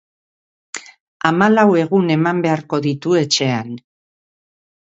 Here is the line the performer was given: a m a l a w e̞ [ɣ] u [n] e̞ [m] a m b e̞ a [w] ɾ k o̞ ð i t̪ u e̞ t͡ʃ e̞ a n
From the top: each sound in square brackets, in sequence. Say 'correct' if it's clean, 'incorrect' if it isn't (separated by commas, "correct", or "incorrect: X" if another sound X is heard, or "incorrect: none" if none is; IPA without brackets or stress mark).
correct, correct, correct, incorrect: none